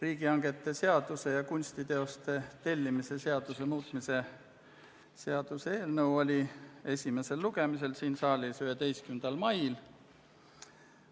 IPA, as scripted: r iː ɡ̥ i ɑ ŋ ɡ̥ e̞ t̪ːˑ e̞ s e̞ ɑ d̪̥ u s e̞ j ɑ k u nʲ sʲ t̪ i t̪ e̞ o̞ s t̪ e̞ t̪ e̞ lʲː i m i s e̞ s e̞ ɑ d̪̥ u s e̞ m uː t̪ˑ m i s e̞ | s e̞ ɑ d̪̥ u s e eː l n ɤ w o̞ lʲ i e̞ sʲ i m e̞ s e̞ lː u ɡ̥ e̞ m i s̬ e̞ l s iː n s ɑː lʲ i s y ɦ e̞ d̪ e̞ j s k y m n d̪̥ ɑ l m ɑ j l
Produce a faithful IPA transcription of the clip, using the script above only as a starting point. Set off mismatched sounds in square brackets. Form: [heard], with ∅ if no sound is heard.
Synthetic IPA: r iː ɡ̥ i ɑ ŋ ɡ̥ e̞ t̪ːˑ e̞ s e̞ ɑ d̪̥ u s e̞ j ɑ k u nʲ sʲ t̪ i t̪ e̞ o̞ s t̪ e̞ t̪ e̞ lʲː i m i s e̞ s e̞ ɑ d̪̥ u s e̞ m uː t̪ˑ m i s e̞ | s e̞ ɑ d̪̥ u s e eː l n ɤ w o̞ lʲ i e̞ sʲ i m e̞ s e̞ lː u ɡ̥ e̞ m i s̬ e̞ l s iː n s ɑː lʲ i s y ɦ e̞ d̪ e̞ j s k y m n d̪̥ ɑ l m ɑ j l